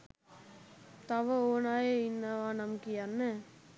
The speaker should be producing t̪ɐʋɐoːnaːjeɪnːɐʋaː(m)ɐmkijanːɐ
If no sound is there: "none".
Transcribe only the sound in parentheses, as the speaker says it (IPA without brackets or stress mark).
n